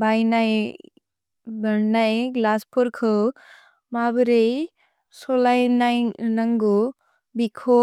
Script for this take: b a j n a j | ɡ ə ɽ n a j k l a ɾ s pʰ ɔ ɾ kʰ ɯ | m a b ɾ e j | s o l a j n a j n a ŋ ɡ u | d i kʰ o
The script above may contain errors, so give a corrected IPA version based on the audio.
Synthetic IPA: b a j n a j | b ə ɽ n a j ɡ l a s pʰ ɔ ɾ kʰ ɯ | m a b ɾ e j | s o l a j n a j n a ŋ ɡ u | b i kʰ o